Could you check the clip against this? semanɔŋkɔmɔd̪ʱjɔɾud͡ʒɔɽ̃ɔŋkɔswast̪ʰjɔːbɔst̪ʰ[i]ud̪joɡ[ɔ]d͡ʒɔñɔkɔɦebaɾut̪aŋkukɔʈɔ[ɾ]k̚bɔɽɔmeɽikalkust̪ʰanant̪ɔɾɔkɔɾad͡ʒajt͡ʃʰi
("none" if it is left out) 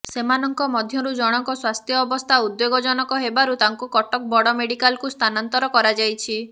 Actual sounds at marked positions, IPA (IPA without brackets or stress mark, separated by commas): a, ɔ, none